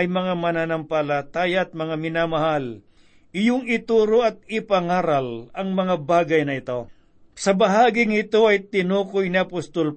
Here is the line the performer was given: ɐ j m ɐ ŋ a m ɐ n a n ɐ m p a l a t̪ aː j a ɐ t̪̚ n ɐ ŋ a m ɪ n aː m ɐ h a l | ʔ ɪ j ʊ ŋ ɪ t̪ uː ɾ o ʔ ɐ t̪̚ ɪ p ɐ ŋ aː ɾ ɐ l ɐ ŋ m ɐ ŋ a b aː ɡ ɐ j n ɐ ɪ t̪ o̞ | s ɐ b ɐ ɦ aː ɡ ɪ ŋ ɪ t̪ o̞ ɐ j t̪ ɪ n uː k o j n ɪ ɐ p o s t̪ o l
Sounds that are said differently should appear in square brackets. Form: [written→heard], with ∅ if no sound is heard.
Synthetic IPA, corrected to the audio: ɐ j m ɐ ŋ a m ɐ n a n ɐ m p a l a t̪ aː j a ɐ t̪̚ [n→m] ɐ ŋ a m ɪ n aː m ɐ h a l | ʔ ɪ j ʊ ŋ ɪ t̪ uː ɾ o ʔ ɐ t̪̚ ɪ p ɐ ŋ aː ɾ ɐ l ɐ ŋ m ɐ ŋ a b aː ɡ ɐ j n ɐ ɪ t̪ o̞ | s ɐ b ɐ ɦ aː ɡ ɪ ŋ ɪ t̪ o̞ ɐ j t̪ ɪ n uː k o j n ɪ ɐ p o s t̪ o l